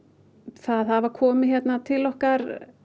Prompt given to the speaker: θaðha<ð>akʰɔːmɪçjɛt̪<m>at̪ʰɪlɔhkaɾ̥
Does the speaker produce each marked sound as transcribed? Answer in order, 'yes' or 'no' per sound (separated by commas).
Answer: no, no